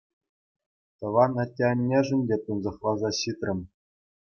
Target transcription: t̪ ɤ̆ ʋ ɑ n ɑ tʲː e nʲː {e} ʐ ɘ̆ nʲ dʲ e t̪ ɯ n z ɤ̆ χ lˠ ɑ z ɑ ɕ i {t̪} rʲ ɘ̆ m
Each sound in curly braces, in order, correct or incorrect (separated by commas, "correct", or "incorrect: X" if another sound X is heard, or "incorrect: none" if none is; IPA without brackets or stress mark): correct, correct